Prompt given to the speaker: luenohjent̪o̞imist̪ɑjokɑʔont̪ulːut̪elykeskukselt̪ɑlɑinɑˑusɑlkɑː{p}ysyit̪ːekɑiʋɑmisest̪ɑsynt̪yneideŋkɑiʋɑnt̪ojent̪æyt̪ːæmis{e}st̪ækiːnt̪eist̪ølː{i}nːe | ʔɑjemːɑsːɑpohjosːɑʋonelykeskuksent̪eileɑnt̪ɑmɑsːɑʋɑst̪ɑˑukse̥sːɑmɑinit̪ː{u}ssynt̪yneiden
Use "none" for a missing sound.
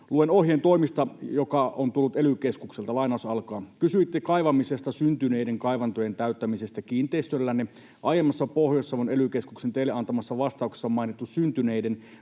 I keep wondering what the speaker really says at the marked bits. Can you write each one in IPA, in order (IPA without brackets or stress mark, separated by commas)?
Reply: k, e, æ, u